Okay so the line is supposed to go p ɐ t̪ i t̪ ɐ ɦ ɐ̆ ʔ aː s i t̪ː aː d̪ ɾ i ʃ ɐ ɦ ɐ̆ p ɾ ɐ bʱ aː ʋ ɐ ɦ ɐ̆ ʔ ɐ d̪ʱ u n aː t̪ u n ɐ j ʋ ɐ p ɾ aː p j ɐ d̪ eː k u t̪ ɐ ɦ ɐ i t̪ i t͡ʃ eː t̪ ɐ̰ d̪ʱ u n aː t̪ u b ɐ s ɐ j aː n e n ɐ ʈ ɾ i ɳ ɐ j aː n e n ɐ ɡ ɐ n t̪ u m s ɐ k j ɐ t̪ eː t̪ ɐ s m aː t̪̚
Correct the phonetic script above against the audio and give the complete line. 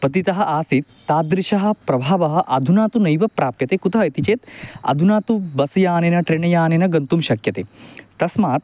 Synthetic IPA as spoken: p ɐ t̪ i t̪ ɐ ɦ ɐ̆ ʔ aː s i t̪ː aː d̪ ɾ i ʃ ɐ ɦ ɐ̆ p ɾ ɐ bʱ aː ʋ ɐ ɦ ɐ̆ ʔ ɐ d̪ʱ u n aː t̪ u n ɐ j ʋ ɐ p ɾ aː p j ɐ t̪ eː k u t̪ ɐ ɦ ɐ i t̪ i t͡ʃ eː t̪ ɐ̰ d̪ʱ u n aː t̪ u b ɐ s ɐ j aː n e n ɐ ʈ ɾ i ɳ ɐ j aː n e n ɐ ɡ ɐ n t̪ u m ʃ ɐ k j ɐ t̪ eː t̪ ɐ s m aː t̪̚